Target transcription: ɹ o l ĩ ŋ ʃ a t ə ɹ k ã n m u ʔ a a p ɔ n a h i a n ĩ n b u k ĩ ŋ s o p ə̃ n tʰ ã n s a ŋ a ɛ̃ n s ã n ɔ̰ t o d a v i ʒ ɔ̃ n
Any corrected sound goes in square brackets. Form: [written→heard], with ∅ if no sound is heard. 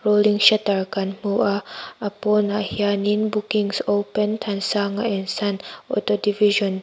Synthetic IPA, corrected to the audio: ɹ o l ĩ ŋ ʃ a t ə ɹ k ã n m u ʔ a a p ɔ n a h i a n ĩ n b u k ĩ ŋ s o p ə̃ n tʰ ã n s a ŋ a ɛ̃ n s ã n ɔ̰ t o d [a→i] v i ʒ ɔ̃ n